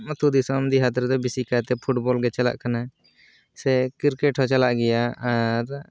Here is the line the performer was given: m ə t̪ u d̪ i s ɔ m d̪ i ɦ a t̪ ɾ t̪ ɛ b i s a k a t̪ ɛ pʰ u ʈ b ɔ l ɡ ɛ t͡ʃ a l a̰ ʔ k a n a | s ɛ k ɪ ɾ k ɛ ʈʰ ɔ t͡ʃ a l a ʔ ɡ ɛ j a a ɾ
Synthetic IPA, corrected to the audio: m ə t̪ u d̪ i s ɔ m d̪ i ɦ a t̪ ɾ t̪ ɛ b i s i k a t̪ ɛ pʰ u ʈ b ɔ l ɡ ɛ t͡ʃ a l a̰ ʔ k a n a | s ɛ k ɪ ɾ k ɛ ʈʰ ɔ t͡ʃ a l a ʔ ɡ ɛ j a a ɾ